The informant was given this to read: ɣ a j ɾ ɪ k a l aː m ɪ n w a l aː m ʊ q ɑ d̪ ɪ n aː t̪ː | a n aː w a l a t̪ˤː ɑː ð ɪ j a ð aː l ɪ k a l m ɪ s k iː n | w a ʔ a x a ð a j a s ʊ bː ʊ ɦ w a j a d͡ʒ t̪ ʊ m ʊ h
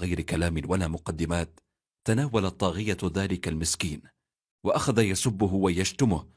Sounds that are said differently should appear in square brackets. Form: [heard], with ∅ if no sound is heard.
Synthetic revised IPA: ɣ a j ɾ ɪ k a l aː m ɪ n w a l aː m ʊ q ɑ [d̪ː] ɪ [m] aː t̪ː | a n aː w a l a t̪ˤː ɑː [ɣ] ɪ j a ð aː l ɪ k a l m ɪ s k iː n | w a ʔ a x a ð a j a s ʊ bː ʊ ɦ w a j a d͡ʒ t̪ ʊ m ʊ h